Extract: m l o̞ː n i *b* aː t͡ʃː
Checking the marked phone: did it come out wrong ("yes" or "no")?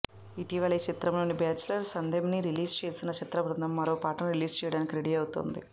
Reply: no